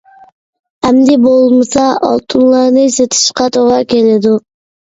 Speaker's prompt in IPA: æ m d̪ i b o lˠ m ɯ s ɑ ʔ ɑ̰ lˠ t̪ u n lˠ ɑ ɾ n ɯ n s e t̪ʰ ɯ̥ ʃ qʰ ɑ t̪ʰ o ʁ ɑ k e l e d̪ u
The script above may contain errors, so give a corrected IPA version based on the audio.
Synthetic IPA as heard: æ m d̪ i b o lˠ m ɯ s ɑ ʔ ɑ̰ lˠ t̪ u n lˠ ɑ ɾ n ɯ s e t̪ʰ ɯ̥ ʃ q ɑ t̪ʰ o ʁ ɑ k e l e d̪ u